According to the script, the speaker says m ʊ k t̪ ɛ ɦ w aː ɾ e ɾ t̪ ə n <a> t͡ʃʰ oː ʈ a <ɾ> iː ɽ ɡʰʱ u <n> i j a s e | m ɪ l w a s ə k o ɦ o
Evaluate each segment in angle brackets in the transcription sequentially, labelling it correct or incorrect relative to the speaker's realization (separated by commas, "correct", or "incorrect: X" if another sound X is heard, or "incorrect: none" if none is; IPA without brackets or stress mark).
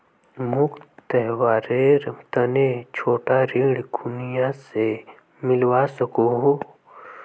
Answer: incorrect: e, correct, correct